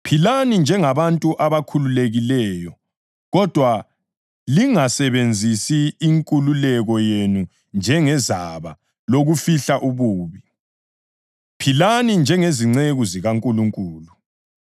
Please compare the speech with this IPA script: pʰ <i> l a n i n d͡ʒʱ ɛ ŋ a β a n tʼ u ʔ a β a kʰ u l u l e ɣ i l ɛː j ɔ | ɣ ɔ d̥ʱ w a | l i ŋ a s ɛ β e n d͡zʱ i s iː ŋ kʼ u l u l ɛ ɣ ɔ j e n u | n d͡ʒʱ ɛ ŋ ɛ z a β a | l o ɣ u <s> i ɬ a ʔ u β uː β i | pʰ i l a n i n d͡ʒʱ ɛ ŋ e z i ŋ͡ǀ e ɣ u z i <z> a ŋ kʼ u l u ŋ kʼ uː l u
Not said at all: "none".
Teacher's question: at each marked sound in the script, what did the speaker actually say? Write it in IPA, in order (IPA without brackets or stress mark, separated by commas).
i, f, ɣ